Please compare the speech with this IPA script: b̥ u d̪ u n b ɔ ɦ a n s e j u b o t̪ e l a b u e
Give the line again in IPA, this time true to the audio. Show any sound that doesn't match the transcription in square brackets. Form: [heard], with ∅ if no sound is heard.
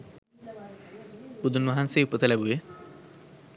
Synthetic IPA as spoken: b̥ u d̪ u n [m] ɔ ɦ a n s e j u [p] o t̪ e l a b u e